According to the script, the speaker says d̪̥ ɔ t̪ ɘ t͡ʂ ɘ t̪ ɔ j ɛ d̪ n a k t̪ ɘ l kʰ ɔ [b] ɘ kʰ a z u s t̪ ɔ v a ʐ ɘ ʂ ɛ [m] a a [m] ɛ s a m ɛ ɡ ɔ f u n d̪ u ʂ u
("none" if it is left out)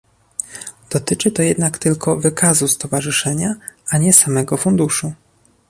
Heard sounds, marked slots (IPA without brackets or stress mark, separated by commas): v, ɲ, ɲ